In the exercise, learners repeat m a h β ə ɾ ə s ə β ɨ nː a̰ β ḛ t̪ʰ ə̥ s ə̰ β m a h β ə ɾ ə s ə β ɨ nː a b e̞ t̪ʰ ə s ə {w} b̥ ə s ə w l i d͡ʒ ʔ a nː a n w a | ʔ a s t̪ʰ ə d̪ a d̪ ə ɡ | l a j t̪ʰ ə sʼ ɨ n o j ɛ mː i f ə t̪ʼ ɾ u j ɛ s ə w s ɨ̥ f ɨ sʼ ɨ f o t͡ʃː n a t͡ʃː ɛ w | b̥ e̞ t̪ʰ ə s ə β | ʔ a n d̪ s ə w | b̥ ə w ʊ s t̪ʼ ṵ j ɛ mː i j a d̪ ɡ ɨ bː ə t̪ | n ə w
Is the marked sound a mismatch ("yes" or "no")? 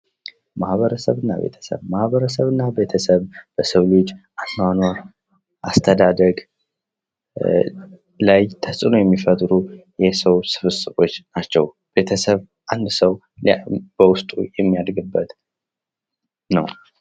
yes